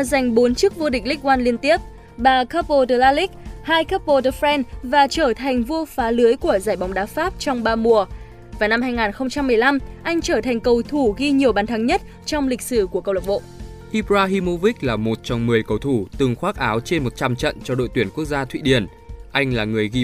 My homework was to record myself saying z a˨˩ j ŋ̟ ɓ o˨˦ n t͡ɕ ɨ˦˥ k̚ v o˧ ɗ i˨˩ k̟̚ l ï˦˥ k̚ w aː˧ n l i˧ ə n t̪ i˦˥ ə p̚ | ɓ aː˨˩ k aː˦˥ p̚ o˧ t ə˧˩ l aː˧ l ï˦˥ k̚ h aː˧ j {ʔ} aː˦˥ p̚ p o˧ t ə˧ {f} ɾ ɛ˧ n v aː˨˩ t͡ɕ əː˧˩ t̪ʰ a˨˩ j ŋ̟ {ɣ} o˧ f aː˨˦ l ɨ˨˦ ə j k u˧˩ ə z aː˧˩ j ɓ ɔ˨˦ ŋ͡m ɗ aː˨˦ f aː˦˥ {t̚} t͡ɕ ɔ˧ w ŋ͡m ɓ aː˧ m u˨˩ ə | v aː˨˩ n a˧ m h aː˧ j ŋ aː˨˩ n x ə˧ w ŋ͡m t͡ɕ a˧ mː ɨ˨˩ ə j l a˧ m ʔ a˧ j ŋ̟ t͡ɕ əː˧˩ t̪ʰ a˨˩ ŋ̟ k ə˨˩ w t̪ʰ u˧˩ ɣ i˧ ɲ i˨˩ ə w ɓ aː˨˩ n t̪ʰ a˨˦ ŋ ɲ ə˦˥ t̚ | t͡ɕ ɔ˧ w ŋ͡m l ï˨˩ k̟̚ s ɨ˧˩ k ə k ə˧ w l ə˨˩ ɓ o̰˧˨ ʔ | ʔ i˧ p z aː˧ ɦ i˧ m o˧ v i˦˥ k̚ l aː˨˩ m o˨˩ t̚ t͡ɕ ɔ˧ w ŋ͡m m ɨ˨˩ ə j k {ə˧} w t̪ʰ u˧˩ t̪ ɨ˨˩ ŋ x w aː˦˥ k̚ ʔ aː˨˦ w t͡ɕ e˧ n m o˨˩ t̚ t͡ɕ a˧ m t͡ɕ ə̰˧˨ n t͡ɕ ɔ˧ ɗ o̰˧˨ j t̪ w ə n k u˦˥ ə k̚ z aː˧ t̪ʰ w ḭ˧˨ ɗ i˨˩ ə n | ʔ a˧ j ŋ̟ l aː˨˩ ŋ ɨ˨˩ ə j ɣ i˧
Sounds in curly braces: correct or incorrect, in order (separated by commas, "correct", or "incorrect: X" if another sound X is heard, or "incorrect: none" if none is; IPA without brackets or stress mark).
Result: incorrect: k, correct, incorrect: v, incorrect: p̚, incorrect: ə˨˩